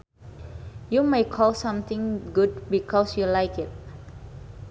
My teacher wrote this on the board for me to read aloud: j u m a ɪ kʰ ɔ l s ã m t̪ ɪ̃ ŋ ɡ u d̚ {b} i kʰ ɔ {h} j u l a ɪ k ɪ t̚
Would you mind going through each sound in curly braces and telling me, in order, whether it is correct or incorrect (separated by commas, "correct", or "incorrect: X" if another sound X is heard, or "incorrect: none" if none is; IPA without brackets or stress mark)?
correct, incorrect: s